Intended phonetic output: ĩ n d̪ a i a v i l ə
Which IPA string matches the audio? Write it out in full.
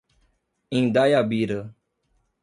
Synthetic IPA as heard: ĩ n d̪ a j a b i ɾ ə